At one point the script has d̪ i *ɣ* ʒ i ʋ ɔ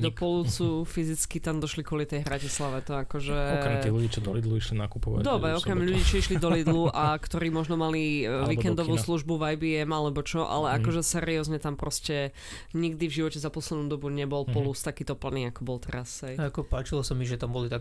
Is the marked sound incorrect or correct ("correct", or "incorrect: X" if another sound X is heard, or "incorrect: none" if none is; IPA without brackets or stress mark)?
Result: incorrect: v